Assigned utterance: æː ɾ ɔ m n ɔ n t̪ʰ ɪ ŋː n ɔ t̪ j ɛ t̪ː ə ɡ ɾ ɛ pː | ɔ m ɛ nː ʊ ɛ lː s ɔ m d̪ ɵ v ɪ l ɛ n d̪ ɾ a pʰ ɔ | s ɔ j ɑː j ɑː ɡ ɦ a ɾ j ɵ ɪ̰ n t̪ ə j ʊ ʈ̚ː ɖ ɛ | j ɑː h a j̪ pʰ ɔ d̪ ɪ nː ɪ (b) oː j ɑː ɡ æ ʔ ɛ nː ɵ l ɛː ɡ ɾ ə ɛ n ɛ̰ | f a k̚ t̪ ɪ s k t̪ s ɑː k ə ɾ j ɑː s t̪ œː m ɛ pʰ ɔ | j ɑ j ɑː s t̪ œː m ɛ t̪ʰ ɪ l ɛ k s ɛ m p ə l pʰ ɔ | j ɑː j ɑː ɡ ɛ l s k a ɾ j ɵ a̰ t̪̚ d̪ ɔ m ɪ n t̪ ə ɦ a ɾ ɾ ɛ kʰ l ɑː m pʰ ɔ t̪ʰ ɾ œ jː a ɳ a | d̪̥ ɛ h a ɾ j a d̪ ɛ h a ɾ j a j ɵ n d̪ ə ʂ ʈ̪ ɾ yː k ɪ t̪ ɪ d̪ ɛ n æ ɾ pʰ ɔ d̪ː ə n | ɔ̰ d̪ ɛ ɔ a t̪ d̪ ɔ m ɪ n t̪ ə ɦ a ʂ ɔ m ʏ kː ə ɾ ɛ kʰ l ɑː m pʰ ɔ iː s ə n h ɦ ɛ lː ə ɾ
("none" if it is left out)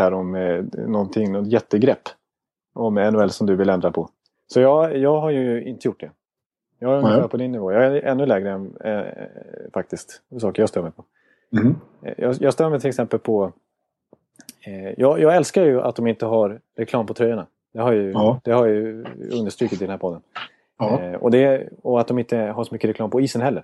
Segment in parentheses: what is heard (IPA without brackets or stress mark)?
v